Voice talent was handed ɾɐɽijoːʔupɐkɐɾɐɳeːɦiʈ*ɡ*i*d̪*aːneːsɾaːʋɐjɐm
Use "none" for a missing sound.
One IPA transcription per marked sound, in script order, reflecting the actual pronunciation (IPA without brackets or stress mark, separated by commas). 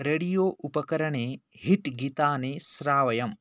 ɡ, t̪